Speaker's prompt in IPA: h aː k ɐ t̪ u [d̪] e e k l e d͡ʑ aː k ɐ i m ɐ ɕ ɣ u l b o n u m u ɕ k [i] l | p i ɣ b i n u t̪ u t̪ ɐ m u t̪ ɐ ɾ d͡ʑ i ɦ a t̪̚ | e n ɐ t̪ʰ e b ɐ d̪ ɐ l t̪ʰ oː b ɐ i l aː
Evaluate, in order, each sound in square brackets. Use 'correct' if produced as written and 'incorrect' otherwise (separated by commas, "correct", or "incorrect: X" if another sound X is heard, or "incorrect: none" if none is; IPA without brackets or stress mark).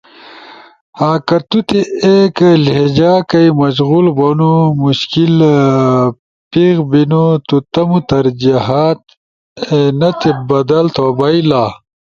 incorrect: t̪, correct